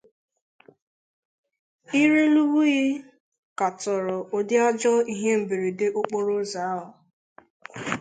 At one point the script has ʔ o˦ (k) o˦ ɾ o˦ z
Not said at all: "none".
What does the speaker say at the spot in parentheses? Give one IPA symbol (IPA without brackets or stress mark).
k͡p